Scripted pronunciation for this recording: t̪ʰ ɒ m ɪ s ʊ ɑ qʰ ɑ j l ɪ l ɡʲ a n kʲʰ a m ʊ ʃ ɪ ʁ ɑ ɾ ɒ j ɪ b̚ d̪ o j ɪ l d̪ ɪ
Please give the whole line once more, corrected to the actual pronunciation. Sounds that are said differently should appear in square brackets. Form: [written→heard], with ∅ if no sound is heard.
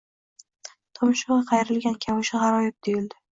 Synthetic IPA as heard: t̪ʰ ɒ m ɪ [s→ʃ] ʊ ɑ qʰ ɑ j [l→ɾ] ɪ l ɡʲ a n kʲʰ a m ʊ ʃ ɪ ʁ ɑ ɾ ɒ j ɪ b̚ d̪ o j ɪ l d̪ ɪ